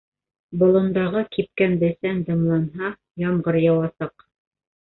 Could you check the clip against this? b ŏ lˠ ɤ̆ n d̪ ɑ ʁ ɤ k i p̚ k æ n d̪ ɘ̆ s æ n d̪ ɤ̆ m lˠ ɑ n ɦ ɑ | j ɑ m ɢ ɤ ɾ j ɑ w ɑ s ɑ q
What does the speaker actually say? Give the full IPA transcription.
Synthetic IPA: b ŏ lˠ ɤ̆ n d̪ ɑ ʁ ɤ k i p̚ k æ n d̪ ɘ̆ s æ n d̪ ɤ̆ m lˠ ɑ n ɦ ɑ | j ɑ m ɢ ɤ ɾ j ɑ w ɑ s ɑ q